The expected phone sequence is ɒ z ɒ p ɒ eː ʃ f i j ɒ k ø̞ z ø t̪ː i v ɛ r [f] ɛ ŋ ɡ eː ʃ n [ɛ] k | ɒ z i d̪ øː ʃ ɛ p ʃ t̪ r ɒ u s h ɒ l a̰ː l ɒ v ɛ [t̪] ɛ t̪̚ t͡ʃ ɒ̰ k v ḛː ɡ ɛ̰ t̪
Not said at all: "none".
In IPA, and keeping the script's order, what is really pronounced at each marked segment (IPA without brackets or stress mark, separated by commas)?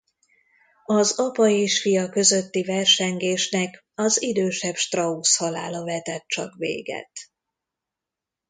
ʃ, ɛ, t̪